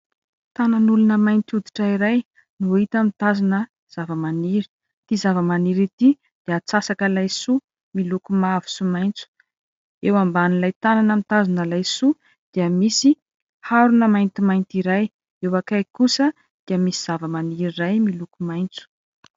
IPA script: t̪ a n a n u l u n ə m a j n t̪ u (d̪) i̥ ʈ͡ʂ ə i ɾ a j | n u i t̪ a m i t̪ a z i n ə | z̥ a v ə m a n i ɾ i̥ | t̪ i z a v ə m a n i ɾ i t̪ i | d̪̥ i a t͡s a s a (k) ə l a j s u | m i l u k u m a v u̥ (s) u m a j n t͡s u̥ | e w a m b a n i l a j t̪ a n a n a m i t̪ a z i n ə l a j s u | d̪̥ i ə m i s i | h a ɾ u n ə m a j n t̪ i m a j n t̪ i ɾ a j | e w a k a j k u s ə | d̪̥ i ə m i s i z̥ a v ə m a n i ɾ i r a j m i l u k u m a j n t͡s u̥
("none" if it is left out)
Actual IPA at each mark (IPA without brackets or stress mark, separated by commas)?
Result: d̪, k, s